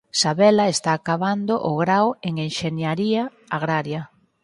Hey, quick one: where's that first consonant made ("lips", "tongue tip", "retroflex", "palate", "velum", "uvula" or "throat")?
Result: tongue tip